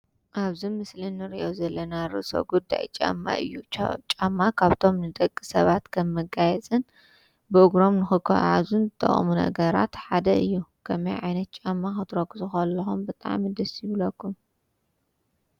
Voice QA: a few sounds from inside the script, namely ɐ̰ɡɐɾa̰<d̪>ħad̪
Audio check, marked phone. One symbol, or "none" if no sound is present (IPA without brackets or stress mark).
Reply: t̪